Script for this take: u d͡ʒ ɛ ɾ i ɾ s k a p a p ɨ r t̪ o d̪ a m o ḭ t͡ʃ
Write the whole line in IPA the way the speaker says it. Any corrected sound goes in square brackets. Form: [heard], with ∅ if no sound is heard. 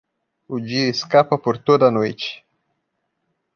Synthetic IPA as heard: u d͡ʒ [i] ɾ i [∅] s k a p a p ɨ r t̪ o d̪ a [n] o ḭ t͡ʃ

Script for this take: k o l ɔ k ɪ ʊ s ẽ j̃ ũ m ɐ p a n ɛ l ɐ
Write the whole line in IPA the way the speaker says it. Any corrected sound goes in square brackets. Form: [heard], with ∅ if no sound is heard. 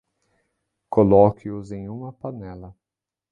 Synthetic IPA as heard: k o l ɔ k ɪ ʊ [z] ẽ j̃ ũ m ɐ p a n ɛ l ɐ

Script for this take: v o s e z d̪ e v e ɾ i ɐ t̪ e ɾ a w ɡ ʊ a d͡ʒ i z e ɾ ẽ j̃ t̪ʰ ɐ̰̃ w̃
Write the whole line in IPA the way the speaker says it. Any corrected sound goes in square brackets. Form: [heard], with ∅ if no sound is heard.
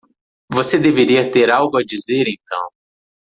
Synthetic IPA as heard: v o s e [∅] d̪ e v e ɾ i ɐ t̪ e ɾ a w ɡ ʊ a d͡ʒ i z e ɾ ẽ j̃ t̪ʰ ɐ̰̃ w̃

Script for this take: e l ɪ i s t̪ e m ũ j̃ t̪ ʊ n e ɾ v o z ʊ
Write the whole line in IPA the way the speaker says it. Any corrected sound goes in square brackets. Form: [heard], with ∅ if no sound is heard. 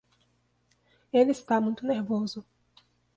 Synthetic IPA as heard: e l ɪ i s t̪ [a] m ũ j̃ t̪ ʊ n e ɾ v o z ʊ

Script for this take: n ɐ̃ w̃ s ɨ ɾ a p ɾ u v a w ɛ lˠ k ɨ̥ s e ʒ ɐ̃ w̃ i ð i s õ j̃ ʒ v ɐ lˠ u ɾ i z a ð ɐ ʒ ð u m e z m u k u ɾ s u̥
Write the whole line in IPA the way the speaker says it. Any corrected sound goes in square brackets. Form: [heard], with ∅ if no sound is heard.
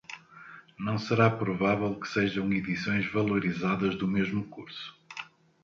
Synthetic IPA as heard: n ɐ̃ w̃ s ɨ ɾ a p ɾ u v a [v] ɛ lˠ k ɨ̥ s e ʒ ɐ̃ w̃ i ð i s õ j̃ ʒ v ɐ lˠ u ɾ i z a ð ɐ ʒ ð u m e [ʒ] m u k u ɾ s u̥

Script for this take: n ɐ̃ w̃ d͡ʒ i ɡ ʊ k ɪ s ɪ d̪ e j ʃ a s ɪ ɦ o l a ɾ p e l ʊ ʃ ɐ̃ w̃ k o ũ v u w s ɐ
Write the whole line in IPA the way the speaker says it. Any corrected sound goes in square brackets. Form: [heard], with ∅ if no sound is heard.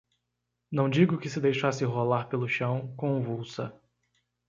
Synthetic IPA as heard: n ɐ̃ w̃ d͡ʒ i ɡ ʊ k ɪ s ɪ d̪ e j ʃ a s ɪ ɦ o l a ɾ p e l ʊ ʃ ɐ̃ w̃ k [õ] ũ v u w s ɐ

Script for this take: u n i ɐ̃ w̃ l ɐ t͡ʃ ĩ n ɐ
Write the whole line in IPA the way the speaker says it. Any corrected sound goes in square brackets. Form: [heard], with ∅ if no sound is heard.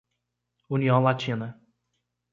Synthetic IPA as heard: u n i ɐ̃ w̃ l [a] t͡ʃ ĩ n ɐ

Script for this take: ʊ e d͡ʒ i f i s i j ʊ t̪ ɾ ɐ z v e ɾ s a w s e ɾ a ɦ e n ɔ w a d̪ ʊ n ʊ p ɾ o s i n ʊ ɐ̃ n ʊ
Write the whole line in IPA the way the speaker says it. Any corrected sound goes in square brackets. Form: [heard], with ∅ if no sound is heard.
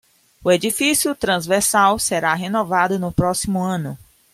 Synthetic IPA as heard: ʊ e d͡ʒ i f i s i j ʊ t̪ ɾ [ɐ̃] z v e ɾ s a w s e ɾ a ɦ e n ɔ [v] a d̪ ʊ n ʊ p ɾ [ɔ] s i [m] ʊ ɐ̃ n ʊ

